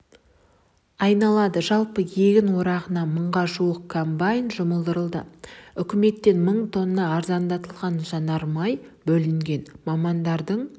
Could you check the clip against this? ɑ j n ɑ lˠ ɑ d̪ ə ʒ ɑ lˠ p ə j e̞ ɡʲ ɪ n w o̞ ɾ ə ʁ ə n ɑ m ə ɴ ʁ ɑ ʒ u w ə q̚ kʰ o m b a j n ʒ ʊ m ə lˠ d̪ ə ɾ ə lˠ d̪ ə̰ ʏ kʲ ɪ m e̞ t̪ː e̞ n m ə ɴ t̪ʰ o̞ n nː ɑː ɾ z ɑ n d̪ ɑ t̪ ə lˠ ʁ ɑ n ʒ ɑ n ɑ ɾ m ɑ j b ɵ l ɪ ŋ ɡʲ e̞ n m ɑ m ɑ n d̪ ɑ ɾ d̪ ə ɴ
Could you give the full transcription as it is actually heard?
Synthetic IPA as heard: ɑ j n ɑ lˠ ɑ d̪ ə ʒ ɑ lˠ p ə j e̞ ɡʲ ɪ n w o̞ ɾ ɑ ʁ ə n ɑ m ə ɴ ʁ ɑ ʒ u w ə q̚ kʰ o m b a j n ʒ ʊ m ə lˠ d̪ ə ɾ ə lˠ d̪ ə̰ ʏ kʲ ɪ m e̞ t̪ː e̞ n m ə ɴ t̪ʰ o̞ n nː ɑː ɾ z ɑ n d̪ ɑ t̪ ə lˠ ʁ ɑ n ʒ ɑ n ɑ ɾ m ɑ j b ɵ l ɪ ŋ ɡʲ e̞ n m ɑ m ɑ n d̪ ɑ ɾ d̪ ə ɴ

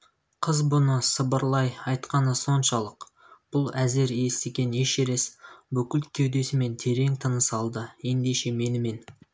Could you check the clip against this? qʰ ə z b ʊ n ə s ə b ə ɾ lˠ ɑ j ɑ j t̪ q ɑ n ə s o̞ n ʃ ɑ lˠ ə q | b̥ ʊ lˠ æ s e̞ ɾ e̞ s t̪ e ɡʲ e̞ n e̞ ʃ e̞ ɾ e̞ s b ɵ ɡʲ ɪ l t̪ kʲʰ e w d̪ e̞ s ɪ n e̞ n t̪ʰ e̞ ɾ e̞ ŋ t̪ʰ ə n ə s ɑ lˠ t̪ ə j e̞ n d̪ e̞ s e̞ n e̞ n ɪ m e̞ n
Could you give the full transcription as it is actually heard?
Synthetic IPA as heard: qʰ ə z b ʊ n ə s ə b ə ɾ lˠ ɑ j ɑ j t̪ q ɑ n ə s o̞ n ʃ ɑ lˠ ə q | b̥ ʊ lˠ æ z e̞ ɾ e̞ s t̪ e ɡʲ e̞ n e̞ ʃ e̞ ɾ e̞ s b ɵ kʲ ɪ l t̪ kʲʰ e w d̪ e̞ s ɪ m e̞ n t̪ʰ e̞ ɾ e̞ ŋ t̪ʰ ə n ə s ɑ lˠ d̪ ə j e̞ n d̪ e̞ ʃ e̞ m e̞ n ɪ m e̞ n

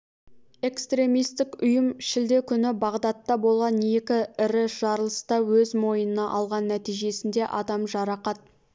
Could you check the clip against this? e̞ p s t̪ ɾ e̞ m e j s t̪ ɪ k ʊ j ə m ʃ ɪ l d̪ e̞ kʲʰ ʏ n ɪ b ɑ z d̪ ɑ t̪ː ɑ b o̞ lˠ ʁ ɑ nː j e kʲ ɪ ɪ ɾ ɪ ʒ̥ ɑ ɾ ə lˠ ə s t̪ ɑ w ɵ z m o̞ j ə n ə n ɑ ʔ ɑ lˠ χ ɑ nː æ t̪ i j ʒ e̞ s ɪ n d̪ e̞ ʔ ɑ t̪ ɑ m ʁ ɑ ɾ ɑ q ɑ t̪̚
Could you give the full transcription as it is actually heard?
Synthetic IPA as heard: e̞ k s t̪ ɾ e̞ m i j s t̪ ɪ k ʊ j ə m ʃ ɪ l d̪ e̞ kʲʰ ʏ n ɪ b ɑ ʁ d̪ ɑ t̪ː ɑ b o̞ lˠ ʁ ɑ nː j e kʲ ɪ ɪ ɾ ɪ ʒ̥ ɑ ɾ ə lˠ ə s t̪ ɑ w ɵ z m o̞ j ə n ə n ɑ ʔ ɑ lˠ ʁ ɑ nː æ t̪ i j ʒ e̞ s ɪ n d̪ e̞ ʔ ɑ d̪ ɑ m ʒ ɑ ɾ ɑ q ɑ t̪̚

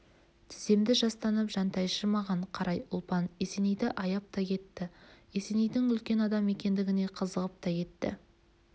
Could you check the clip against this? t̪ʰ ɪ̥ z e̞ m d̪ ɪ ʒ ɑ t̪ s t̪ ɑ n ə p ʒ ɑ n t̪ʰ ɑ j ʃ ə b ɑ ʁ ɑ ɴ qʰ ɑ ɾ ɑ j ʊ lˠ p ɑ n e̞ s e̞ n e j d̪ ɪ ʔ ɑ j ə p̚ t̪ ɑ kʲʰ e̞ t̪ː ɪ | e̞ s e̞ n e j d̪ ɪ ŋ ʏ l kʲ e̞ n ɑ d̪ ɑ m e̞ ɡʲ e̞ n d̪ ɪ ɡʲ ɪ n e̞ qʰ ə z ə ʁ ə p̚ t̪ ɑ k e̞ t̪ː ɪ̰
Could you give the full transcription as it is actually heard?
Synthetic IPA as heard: t̪ʰ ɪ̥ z e̞ m d̪ ɪ ʒ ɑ s t̪ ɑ n ə p ʒ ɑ n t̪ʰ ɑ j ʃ ə m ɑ ʁ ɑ ɴ qʰ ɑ ɾ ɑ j ʊ lˠ p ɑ n e̞ s e̞ n e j d̪ ɪ ʔ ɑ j ɑ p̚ t̪ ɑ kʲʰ e̞ t̪ː ɪ | e̞ s e̞ n e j d̪ ɪ ŋ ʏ l kʲ e̞ n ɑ d̪ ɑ m e̞ kʲ e̞ n d̪ ɪ ɡʲ ɪ n e̞ qʰ ə z ə ʁ ə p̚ t̪ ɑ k e̞ t̪ː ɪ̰

